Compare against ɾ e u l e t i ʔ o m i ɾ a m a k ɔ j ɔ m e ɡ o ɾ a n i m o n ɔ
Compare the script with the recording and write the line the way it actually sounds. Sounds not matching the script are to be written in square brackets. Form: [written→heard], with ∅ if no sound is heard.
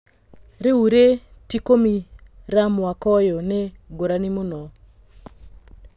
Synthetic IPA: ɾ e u [l→ɾ] e t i [ʔ→k] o m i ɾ a m a k ɔ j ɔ [m→n] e ɡ o ɾ a n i m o n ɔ